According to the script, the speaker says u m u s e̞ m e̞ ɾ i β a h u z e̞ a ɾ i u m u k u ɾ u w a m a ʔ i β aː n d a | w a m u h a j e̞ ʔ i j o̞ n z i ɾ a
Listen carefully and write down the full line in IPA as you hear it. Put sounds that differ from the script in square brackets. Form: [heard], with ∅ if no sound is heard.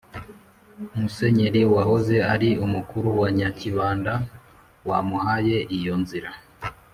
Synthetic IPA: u m u s e̞ [ɲ] e̞ ɾ i [w] a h [o] z e̞ a ɾ i u m u k u ɾ u w a [ɲ] a [c] i β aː n d a | w a m u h a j e̞ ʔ i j o̞ n z i ɾ a